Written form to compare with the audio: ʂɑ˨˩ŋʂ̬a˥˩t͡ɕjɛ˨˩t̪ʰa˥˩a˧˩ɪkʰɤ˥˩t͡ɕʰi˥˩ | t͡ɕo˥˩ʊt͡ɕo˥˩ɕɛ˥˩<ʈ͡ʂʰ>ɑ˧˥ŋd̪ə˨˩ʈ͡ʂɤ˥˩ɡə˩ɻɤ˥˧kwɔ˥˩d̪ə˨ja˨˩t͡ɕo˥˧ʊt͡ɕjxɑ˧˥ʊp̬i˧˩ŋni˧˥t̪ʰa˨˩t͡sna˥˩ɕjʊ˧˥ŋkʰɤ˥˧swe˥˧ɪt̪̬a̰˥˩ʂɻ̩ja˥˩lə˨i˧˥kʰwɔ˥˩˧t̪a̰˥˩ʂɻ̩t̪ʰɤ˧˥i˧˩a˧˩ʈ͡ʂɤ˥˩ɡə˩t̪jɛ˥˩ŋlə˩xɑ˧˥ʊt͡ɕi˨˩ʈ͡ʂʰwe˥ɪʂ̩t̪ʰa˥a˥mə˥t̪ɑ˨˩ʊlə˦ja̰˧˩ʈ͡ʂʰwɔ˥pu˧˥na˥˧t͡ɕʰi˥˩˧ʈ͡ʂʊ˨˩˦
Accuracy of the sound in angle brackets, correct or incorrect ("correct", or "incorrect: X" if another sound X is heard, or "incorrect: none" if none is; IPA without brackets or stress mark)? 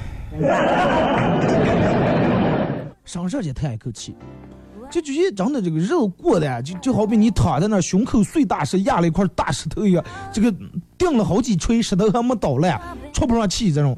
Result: incorrect: ʈ͡ʂ